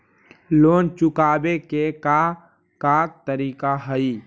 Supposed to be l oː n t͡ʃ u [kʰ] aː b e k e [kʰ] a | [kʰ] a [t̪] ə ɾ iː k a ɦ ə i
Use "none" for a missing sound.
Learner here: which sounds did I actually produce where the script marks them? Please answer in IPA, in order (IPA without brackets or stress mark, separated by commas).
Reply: k, k, k, t̪